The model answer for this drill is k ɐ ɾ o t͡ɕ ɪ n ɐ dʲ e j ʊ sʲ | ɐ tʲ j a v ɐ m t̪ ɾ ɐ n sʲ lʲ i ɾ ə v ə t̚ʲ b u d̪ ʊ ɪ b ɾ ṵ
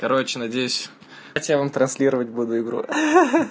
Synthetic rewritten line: k ɐ ɾ o t͡ɕ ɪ n ɐ dʲ e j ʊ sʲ | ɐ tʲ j a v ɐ m t̪ ɾ ɐ n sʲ lʲ i ɾ ə v ə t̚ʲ b u d̪ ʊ ɪ ɡ ɾ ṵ